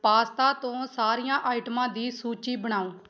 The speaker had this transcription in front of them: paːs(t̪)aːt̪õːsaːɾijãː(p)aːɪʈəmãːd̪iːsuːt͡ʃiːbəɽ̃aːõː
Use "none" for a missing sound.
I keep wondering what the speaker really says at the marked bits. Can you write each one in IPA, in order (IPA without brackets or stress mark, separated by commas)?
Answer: t̪, ʔ